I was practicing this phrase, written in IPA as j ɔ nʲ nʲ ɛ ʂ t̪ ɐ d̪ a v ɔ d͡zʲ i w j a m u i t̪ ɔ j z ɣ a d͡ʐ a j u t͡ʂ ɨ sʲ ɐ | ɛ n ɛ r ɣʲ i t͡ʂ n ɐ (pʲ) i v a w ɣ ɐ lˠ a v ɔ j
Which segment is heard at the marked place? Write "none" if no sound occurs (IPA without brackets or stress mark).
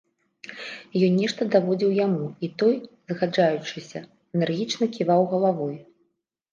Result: kʲ